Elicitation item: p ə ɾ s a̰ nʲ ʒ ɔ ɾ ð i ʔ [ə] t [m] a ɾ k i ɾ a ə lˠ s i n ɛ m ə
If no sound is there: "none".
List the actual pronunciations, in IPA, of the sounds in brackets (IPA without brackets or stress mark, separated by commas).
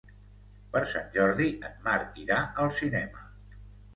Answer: ə, m